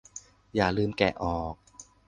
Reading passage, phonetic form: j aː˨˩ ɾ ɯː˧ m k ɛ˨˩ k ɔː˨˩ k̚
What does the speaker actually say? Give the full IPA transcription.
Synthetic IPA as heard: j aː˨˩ l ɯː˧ m k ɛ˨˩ ʔ ɔː˨˩ k̚